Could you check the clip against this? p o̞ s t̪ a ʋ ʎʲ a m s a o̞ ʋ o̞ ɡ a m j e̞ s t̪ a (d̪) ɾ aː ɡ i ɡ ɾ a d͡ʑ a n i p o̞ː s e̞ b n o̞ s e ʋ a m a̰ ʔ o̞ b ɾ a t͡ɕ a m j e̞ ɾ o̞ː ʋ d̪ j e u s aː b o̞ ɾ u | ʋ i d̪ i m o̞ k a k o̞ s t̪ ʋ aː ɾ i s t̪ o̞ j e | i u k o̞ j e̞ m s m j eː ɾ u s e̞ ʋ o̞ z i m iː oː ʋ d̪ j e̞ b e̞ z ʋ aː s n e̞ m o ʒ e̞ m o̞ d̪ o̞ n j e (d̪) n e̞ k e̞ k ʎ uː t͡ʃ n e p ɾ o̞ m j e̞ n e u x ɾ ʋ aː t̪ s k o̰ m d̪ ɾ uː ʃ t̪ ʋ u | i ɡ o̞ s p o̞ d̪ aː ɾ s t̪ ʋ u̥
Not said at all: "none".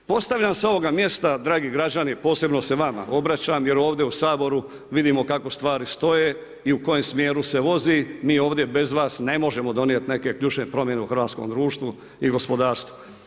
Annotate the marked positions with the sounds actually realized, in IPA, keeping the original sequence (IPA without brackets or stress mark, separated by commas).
d̪, t̪